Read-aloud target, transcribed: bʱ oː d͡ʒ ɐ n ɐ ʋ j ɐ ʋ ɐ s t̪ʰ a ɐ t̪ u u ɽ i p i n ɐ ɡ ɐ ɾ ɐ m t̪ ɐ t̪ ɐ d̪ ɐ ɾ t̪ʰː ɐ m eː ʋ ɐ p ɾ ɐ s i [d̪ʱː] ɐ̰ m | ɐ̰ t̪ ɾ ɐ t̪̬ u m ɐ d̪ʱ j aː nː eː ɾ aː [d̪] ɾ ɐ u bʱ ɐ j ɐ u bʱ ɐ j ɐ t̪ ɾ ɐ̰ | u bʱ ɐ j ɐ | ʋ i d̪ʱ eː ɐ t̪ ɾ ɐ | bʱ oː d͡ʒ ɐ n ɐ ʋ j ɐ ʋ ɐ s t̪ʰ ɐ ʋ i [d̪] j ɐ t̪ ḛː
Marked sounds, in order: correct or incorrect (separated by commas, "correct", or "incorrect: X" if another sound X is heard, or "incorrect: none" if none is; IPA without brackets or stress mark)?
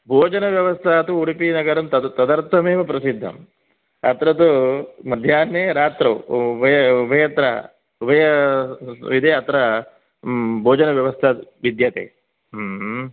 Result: correct, incorrect: t̪, correct